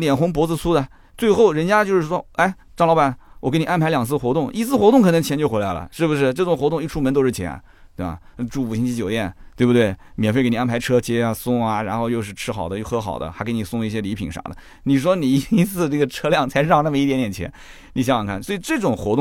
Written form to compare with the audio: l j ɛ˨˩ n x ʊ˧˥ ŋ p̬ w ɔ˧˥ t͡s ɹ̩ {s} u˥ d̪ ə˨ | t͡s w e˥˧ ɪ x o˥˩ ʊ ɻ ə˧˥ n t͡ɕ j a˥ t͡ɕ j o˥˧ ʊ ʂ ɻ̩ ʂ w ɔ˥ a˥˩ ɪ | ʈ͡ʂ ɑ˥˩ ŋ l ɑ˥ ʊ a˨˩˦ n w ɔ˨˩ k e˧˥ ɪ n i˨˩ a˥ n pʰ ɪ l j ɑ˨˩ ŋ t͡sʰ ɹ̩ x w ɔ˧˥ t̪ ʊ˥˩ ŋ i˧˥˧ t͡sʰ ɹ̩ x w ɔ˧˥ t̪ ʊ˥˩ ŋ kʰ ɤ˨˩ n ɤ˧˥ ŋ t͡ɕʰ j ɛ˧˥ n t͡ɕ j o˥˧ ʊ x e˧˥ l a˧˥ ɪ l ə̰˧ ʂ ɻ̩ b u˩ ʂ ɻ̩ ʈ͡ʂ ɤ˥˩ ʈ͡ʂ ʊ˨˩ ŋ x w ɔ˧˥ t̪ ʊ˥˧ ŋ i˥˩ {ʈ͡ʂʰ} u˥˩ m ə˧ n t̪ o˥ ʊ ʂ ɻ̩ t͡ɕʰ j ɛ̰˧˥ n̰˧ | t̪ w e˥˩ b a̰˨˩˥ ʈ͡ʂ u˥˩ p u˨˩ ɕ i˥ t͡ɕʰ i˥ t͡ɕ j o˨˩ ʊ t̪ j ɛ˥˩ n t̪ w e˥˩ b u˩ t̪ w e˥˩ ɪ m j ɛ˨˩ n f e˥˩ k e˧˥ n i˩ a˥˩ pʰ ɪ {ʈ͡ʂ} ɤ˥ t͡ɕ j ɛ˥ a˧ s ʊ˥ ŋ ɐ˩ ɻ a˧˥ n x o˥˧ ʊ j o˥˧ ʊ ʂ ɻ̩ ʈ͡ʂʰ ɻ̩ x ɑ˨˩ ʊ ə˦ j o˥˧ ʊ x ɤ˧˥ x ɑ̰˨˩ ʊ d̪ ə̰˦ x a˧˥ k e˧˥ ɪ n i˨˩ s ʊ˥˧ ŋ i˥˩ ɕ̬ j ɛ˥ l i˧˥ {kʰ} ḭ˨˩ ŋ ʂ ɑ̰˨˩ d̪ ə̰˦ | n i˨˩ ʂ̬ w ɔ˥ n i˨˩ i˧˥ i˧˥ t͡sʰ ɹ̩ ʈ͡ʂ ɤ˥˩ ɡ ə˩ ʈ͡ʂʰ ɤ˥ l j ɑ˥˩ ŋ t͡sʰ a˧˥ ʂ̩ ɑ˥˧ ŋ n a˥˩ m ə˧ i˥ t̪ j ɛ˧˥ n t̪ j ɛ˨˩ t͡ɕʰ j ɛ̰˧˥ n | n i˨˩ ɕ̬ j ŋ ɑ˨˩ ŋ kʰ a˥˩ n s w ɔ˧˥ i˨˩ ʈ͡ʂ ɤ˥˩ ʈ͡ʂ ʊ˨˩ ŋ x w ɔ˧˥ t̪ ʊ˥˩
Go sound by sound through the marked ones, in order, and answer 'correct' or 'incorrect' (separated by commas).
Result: correct, correct, incorrect, incorrect